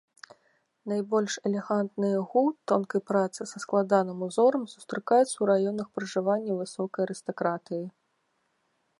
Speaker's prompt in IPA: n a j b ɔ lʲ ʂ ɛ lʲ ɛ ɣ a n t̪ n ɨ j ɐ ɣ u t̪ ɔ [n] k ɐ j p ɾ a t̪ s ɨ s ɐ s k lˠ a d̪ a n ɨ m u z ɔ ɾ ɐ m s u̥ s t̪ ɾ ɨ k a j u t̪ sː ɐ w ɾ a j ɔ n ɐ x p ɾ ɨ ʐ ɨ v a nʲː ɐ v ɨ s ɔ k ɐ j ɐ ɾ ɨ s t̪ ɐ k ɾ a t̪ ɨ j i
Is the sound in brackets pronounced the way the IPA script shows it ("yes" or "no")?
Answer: yes